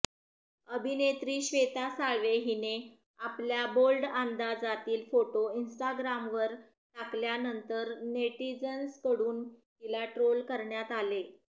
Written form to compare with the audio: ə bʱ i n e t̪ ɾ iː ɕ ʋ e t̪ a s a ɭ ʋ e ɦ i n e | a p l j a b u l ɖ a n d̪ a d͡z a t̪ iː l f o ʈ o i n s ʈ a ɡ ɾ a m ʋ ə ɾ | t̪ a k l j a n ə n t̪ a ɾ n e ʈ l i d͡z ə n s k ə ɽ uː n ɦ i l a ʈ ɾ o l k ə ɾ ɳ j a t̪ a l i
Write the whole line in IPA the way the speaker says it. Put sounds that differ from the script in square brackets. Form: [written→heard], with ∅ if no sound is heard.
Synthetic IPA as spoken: ə bʱ i n e t̪ ɾ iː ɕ ʋ e t̪ a s a ɭ ʋ e ɦ i n e | a p l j a b [u→o] l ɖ a n d̪ a d͡z a t̪ iː l f o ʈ o i n s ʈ a ɡ ɾ a m ʋ ə ɾ | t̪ a k l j a n ə n t̪ [a→ə] ɾ n e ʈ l i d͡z ə n s k ə ɽ uː n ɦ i l a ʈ ɾ o l k ə ɾ ɳ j a t̪ a l [i→e]